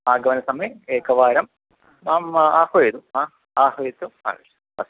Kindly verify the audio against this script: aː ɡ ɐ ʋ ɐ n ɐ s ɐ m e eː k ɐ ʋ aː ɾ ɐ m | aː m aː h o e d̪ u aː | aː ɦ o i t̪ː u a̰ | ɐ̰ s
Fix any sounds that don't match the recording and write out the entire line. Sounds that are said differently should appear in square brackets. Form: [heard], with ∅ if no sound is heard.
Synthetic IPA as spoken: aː ɡ ɐ ʋ ɐ n ɐ s ɐ m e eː k ɐ ʋ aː ɾ ɐ m | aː m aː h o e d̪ u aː | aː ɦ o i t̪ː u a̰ | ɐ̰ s